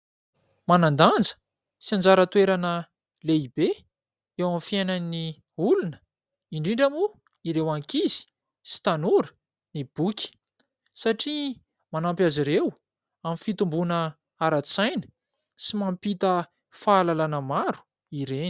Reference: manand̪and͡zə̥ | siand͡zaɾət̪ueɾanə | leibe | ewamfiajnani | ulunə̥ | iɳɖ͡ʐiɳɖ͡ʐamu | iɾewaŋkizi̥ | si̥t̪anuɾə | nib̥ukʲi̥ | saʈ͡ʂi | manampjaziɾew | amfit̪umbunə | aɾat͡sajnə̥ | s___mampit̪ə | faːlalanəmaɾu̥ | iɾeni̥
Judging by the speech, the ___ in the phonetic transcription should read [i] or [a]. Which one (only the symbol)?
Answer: i